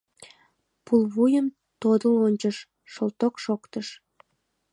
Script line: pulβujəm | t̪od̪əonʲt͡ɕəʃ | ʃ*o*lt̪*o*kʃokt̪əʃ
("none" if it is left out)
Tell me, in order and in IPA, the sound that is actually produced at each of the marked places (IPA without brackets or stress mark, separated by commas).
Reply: o, o